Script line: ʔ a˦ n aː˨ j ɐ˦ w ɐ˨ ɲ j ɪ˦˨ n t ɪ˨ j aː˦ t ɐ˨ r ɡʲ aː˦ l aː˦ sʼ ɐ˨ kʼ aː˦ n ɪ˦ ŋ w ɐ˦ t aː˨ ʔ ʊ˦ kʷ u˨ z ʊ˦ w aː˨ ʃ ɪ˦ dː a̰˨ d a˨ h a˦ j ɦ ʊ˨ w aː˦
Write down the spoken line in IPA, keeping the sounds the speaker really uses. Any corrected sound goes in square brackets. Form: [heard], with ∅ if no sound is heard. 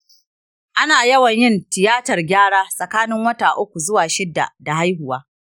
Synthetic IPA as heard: ʔ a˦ n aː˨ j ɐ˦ w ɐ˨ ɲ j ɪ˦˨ n t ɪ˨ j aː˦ t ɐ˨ r ɡʲ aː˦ [ɽ] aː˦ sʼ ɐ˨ [k] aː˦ n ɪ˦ ŋ w ɐ˦ t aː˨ ʔ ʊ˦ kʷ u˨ z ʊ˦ w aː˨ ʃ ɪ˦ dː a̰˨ d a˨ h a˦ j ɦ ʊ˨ w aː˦